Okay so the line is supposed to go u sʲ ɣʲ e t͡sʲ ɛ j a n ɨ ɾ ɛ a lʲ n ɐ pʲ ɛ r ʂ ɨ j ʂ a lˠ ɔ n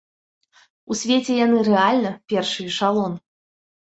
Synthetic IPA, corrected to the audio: u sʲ vʲ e t͡sʲ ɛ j a n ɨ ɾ ɛ a lʲ n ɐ pʲ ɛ r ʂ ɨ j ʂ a lˠ ɔ n